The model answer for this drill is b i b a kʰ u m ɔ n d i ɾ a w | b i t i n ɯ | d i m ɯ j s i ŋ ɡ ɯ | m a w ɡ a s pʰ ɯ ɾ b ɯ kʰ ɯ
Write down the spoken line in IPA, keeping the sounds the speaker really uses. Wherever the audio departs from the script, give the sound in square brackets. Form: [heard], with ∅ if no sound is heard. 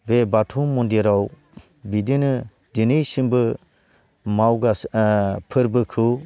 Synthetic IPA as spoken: b [e] b a [tʰ] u m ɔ n d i ɾ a w | b i [d] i n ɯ | d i [n] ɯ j s i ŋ [b] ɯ | m a w ɡ a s pʰ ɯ ɾ b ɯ kʰ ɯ